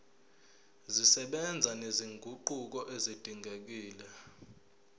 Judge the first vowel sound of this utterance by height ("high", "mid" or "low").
high